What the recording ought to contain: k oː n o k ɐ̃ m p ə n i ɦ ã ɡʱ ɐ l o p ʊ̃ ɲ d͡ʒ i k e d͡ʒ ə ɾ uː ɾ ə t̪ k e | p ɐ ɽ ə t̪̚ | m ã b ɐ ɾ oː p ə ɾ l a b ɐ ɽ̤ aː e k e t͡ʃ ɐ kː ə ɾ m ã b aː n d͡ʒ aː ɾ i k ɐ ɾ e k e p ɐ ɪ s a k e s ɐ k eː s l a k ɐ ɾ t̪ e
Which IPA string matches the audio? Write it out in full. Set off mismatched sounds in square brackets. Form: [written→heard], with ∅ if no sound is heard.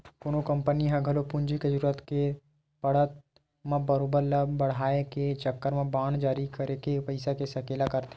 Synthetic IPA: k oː n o k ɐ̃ m p ə n i ɦ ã ɡʱ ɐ l o p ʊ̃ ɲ d͡ʒ i k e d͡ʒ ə ɾ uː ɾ ə t̪ k e | p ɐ ɽ ə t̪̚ | m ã b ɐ ɾ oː [p→b] ə ɾ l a b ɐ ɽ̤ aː e k e t͡ʃ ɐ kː ə ɾ m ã b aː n d͡ʒ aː ɾ i k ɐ ɾ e k e p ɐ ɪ s a k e s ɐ k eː [s→∅] l a k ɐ ɾ t̪ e